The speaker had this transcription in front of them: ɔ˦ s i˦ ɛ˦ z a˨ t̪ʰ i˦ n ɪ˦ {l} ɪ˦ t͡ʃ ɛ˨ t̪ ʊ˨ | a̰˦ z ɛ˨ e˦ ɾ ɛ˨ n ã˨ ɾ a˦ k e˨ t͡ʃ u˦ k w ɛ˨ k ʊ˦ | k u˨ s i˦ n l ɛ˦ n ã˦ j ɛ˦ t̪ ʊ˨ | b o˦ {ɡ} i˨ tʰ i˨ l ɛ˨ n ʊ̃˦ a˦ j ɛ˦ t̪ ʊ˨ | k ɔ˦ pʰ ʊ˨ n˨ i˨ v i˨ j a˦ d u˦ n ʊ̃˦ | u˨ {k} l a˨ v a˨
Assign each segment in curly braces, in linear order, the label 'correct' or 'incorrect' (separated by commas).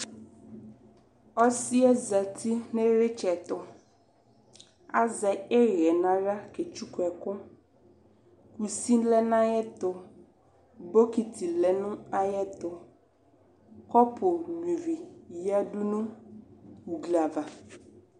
incorrect, incorrect, incorrect